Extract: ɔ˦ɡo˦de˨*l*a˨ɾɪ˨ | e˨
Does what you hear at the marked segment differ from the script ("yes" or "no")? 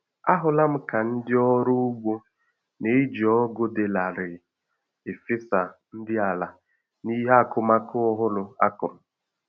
no